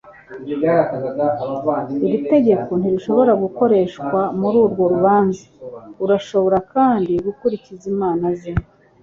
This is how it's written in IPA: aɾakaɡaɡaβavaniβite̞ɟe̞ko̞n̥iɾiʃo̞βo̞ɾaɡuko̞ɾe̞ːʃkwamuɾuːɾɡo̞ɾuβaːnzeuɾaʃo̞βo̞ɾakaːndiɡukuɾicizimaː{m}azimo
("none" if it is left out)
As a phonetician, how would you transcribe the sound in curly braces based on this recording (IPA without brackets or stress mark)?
n